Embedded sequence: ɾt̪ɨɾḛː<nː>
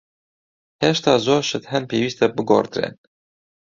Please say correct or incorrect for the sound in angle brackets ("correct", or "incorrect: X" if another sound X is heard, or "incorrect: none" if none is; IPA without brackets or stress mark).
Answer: incorrect: n